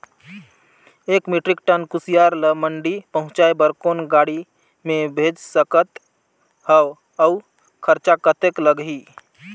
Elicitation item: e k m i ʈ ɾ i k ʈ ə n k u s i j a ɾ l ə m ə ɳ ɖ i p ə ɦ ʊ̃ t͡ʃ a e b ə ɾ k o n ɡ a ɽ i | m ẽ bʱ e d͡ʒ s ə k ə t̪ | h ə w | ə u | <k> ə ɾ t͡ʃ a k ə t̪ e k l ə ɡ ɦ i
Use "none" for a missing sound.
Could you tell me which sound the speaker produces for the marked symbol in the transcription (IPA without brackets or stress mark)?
kʰ